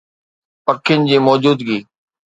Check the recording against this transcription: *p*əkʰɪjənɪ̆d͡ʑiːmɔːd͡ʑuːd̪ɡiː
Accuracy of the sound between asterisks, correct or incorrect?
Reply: correct